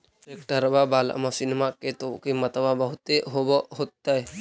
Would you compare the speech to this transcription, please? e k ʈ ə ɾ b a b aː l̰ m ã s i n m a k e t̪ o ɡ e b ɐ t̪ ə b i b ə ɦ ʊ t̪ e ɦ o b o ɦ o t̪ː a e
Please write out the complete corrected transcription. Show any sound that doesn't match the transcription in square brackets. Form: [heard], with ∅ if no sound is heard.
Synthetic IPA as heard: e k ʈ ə ɾ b a b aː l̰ m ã s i n m a k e t̪ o [k] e [m] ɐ t̪ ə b [a] b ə ɦ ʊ t̪ e ɦ o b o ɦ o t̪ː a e